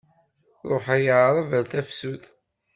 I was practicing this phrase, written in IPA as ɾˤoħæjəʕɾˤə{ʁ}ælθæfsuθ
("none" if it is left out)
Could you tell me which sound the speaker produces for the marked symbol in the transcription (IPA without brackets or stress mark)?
v